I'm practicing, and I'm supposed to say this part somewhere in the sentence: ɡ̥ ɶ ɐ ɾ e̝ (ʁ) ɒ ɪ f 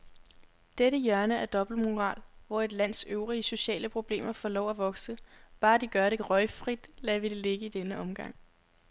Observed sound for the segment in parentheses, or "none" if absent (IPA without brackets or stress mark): ʁ